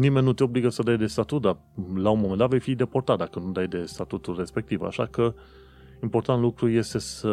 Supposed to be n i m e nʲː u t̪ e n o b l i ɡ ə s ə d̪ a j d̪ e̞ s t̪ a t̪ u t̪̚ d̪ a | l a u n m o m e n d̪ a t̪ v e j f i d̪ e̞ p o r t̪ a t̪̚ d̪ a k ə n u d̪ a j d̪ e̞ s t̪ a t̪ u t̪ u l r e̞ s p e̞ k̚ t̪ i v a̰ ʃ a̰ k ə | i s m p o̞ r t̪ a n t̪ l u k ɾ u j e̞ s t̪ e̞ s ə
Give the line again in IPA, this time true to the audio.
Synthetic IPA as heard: n i m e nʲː u t̪ e o b l i ɡ ə s ə d̪ a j d̪ e̞ s t̪ a t̪ u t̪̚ d̪ a | l a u n m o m e n d̪ a t̪ v e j f i d̪ e̞ p o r t̪ a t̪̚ d̪ a k ə n u d̪ a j d̪ e̞ s t̪ a t̪ u t̪ u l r e̞ s p e̞ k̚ t̪ i v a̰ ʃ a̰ k ə | i m p o̞ r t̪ a n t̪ l u k ɾ u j e̞ s t̪ e̞ s ə